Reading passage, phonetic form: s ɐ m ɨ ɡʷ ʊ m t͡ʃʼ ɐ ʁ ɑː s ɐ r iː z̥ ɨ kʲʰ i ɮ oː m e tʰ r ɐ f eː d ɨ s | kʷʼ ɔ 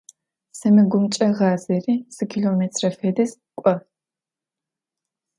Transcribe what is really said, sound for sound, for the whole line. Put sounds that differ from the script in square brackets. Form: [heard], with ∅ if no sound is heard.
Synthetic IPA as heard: s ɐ m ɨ ɡʷ ʊ m t͡ʃʼ ɐ ʁ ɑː [z] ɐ r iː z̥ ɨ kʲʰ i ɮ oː m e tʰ r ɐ f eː d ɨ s | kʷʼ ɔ